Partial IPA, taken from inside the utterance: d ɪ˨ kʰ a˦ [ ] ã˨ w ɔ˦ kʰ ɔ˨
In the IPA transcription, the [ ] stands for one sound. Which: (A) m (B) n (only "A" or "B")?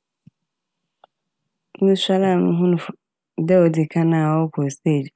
B